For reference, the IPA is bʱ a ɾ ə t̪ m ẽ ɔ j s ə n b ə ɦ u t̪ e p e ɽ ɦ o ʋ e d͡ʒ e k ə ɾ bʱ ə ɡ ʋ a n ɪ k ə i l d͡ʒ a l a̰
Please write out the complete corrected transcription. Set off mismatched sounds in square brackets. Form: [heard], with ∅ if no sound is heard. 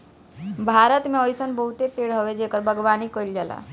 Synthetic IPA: bʱ a ɾ ə t̪ m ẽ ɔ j s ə n b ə ɦ u t̪ e p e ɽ ɦ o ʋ e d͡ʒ e k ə ɾ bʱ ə ɡ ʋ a n [i] k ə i l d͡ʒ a l a̰